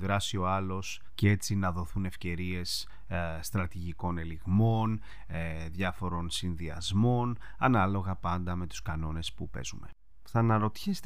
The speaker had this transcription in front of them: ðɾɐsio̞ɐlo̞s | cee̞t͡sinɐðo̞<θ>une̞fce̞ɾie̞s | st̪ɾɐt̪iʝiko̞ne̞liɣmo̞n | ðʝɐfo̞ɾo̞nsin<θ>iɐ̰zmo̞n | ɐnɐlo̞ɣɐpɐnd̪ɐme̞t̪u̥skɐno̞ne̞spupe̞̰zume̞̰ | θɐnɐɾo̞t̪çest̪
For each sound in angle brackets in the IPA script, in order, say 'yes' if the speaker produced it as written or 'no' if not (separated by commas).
yes, no